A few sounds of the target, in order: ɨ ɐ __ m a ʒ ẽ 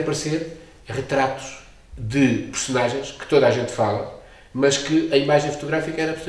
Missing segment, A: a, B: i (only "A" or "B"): B